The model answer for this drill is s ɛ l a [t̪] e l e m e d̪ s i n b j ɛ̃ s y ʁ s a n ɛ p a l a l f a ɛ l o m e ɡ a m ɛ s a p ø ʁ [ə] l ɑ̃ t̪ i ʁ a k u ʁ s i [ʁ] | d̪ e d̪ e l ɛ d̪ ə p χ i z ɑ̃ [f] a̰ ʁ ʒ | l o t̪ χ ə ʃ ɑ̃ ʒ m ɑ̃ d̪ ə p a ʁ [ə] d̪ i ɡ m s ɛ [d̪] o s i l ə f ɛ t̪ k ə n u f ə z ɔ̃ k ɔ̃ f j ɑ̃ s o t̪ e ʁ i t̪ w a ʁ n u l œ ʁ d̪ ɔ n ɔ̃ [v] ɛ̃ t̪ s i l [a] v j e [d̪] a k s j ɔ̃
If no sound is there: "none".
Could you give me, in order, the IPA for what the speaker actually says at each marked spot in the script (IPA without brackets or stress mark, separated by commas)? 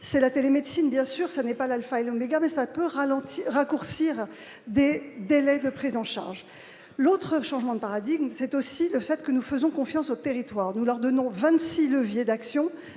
t̪, a, ʁ, ʃ, a, t̪, v, ə, d̪